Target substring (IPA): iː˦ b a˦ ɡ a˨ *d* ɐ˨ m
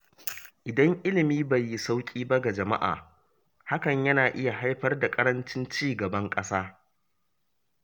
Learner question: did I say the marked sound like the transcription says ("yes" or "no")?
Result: no